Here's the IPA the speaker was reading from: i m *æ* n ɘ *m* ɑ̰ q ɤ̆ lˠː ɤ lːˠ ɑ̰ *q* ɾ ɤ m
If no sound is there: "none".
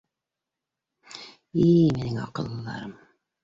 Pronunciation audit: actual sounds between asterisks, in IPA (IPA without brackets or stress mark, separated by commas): i, ŋ, none